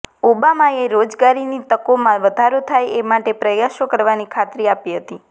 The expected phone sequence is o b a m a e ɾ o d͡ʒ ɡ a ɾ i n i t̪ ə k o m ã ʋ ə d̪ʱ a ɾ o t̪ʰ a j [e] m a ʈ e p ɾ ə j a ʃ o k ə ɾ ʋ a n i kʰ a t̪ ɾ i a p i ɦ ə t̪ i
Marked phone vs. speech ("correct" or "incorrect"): correct